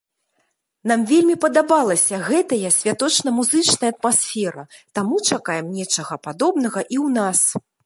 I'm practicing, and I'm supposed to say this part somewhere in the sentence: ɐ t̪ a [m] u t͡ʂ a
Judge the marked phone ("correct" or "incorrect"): correct